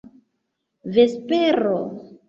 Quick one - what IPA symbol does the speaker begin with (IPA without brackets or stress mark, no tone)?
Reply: v